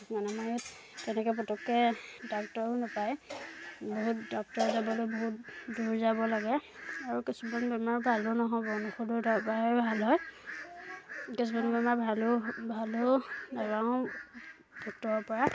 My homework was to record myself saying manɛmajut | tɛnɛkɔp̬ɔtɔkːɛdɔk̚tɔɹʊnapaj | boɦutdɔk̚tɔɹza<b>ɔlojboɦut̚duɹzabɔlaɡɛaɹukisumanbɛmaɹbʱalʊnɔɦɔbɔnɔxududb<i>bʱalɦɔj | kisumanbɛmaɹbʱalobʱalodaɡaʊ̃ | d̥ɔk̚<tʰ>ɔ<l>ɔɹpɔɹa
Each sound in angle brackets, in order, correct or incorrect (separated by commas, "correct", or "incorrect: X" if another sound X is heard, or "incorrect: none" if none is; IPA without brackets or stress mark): correct, incorrect: a, incorrect: t, incorrect: ɹ